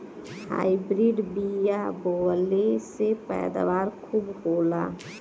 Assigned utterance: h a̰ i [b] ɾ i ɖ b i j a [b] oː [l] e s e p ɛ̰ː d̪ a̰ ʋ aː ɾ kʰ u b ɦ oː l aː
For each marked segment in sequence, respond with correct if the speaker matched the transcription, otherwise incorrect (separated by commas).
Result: correct, correct, correct